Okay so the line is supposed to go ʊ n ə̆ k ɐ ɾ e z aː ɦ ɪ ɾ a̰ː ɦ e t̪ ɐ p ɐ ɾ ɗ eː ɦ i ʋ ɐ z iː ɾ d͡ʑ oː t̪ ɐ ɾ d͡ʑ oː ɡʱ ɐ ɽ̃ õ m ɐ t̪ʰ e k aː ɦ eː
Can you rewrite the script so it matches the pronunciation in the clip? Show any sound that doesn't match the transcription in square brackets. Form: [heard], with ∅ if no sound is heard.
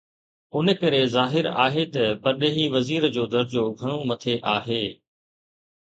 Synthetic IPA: ʊ n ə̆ k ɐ ɾ e z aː ɦ ɪ ɾ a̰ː ɦ e t̪ ɐ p ɐ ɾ ɗ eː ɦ i ʋ ɐ z iː ɾ d͡ʑ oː [d̪] ɐ ɾ d͡ʑ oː ɡʱ ɐ ɽ̃ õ m ɐ t̪ʰ e [ʔ] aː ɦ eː

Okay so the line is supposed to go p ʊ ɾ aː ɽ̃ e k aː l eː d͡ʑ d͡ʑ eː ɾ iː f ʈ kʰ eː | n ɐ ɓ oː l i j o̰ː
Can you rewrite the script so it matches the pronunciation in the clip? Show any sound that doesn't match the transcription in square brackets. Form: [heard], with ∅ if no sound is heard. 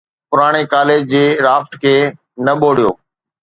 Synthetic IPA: p ʊ ɾ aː ɽ̃ e k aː l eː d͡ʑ d͡ʑ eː ɾ [aː] f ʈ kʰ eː | n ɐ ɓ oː [ɽ] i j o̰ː

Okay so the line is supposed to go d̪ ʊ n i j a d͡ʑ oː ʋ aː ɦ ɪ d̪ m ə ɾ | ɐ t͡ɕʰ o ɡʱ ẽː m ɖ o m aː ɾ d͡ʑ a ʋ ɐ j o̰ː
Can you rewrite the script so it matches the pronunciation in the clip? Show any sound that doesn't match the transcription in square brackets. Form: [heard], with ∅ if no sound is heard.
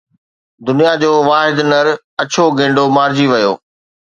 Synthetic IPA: d̪ ʊ n i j a d͡ʑ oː ʋ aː ɦ ɪ d̪ [n] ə ɾ | ɐ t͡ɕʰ o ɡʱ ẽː [ɳ] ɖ o m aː ɾ d͡ʑ [i] ʋ ɐ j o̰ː

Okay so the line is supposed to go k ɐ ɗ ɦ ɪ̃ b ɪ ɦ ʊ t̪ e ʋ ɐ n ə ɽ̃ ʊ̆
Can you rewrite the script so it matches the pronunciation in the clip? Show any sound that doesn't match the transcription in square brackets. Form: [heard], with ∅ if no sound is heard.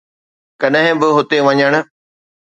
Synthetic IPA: k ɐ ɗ ɦ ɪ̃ b ɪ ɦ ʊ t̪ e ʋ ɐ [ɲ] ə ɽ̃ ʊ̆

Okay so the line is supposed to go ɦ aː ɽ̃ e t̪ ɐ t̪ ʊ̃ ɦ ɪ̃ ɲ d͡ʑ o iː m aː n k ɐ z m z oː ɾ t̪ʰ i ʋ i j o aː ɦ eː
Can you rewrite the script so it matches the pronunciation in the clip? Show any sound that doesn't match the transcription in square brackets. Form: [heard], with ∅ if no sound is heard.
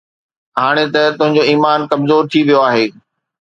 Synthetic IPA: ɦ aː ɽ̃ e t̪ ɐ t̪ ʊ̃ ɦ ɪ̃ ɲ d͡ʑ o iː m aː n k ɐ [∅] m z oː ɾ t̪ʰ i ʋ i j o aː ɦ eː

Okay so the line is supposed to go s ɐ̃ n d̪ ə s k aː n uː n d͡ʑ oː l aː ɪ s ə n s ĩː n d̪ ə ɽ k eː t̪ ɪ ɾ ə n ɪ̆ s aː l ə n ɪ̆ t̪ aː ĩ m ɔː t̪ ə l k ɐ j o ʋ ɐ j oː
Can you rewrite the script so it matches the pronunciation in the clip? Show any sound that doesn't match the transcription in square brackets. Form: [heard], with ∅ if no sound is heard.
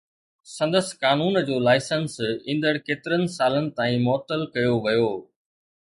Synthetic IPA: s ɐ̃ n d̪ ə s k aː n uː n d͡ʑ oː l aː ɪ s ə n s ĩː n d̪ ə ɽ k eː t̪ ɪ ɾ ə n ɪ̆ s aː l ə n ɪ̆ t̪ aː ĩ m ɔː t̪ ə l k ɐ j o ʋ ɐ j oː

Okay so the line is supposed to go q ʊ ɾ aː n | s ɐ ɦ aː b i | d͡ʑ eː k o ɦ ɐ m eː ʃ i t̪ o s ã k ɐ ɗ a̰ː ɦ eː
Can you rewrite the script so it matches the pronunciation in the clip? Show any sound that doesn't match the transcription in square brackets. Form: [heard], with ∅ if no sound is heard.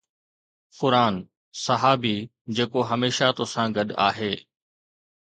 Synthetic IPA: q ʊ ɾ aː n | s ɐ ɦ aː b i | d͡ʑ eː k o ɦ ɐ m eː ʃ [a] t̪ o s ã [ɡ] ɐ ɗ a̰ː ɦ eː

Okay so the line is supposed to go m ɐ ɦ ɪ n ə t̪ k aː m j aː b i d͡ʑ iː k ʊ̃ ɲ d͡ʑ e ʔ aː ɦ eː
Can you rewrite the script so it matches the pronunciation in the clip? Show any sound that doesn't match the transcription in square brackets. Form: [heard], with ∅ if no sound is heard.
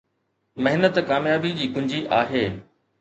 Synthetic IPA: m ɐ ɦ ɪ n ə t̪ k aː m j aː b i d͡ʑ iː k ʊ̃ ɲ d͡ʑ [i] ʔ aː ɦ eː

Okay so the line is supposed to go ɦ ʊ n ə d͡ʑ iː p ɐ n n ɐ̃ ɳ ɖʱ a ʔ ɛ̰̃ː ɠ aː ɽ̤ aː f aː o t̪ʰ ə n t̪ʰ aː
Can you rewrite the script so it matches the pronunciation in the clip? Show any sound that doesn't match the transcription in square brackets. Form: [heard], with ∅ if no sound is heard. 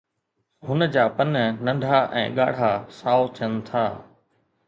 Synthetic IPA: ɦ ʊ n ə d͡ʑ [aː] p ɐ n n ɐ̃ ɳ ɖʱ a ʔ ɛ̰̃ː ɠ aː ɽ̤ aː [s] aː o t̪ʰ ə n t̪ʰ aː

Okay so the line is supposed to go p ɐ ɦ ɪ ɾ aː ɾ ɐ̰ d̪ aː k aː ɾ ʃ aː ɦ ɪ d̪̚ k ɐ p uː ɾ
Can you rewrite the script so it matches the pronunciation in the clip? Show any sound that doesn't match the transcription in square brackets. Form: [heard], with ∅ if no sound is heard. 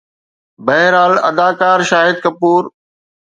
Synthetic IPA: [b] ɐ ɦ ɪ ɾ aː [l] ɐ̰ d̪ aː k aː ɾ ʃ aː ɦ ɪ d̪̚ k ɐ p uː ɾ

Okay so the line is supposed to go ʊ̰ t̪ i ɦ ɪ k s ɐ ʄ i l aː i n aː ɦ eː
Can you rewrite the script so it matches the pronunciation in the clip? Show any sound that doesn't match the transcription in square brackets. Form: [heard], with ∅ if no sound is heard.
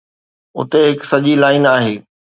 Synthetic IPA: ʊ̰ t̪ [e] ɦ ɪ k s ɐ ʄ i l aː [ɪ] n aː ɦ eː

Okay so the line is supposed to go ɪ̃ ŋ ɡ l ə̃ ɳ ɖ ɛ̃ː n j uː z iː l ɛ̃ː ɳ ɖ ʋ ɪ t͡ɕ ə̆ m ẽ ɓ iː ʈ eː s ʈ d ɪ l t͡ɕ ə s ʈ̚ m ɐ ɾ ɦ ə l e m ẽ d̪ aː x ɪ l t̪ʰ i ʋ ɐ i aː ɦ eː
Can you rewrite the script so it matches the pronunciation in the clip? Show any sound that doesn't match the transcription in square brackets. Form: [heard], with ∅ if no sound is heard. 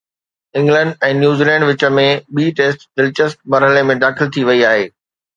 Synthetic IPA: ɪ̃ ŋ ɡ l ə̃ ɳ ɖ ɛ̃ː n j uː z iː l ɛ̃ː ɳ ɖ ʋ ɪ t͡ɕ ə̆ m ẽ ɓ iː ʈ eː s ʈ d ɪ l t͡ɕ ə s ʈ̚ m ɐ ɾ ɦ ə l e m ẽ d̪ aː x ɪ l t̪ʰ i ʋ ɐ i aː ɦ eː

